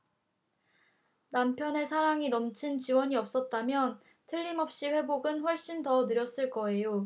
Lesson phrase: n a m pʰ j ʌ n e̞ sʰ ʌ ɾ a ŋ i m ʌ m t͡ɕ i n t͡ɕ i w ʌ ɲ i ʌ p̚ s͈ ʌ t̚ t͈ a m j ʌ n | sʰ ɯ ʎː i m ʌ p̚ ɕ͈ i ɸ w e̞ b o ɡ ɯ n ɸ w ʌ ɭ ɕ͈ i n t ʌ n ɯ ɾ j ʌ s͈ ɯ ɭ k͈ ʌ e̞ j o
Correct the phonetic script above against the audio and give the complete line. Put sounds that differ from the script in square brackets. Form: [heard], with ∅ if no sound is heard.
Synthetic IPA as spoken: n a m pʰ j ʌ n e̞ sʰ [a] ɾ a ŋ i [n] ʌ m [t͡ɕʰ] i n t͡ɕ i w ʌ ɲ i ʌ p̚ s͈ ʌ t̚ t͈ a m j ʌ n | [tʰ] ɯ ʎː i m ʌ p̚ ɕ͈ i ɸ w e̞ b o ɡ ɯ n ɸ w ʌ ɭ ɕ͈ i n t ʌ n ɯ ɾ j ʌ s͈ ɯ ɭ k͈ ʌ e̞ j o